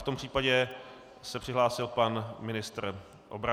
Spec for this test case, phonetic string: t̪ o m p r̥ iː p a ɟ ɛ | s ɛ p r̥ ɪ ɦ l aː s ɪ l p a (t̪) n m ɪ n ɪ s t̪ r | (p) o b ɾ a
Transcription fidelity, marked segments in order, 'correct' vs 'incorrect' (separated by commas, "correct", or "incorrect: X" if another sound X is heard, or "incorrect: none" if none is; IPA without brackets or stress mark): incorrect: none, incorrect: ʔ